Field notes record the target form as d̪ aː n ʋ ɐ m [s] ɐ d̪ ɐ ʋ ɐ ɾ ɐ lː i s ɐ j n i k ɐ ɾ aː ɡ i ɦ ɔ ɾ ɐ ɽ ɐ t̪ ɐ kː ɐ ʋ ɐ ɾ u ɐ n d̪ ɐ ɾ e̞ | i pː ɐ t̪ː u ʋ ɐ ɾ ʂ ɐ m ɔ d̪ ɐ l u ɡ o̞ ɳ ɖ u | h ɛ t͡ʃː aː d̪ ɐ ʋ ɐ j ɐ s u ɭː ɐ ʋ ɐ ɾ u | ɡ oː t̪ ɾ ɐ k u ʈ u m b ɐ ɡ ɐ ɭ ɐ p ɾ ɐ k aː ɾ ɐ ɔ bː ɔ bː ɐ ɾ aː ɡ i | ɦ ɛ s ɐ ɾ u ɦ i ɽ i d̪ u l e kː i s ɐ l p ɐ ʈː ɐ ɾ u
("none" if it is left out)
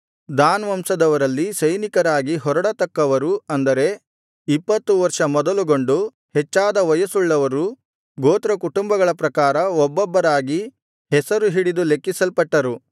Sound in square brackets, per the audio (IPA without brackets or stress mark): s